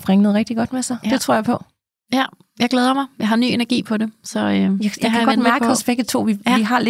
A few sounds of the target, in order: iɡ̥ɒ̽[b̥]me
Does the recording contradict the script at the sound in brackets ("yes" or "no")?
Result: yes